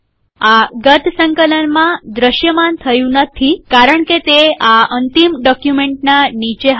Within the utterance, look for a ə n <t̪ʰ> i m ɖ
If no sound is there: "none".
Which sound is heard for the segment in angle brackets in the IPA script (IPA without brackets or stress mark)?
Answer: t̪